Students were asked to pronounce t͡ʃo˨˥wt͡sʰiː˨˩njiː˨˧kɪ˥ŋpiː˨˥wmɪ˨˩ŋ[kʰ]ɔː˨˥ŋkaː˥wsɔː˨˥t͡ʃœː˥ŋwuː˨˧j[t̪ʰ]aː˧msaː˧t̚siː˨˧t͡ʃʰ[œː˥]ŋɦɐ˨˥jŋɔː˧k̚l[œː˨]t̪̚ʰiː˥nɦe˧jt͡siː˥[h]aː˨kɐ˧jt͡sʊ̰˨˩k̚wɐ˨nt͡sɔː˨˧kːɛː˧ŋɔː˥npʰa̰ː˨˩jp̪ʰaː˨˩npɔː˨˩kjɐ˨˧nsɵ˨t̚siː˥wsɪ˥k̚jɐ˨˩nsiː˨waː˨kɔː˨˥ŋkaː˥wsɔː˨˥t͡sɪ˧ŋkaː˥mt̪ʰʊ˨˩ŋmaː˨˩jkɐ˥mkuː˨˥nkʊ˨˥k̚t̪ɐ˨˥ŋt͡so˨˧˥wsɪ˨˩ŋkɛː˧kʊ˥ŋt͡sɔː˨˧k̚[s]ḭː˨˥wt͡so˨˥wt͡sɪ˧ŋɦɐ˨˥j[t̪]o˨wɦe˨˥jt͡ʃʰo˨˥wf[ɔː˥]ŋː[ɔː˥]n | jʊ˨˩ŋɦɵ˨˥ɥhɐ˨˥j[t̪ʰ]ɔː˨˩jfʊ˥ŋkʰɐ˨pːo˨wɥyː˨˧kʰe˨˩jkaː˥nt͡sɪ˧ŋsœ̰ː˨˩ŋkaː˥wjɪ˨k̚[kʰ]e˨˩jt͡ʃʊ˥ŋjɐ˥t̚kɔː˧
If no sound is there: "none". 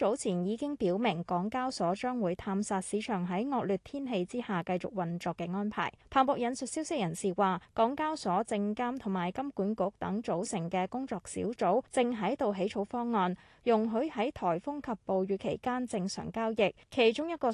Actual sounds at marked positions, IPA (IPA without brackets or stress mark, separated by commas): k, t̪ʰ, œː˨˩, yː˨, h, s, t̪, ɔː˥, ɔː˧, t̪ʰ, kʰ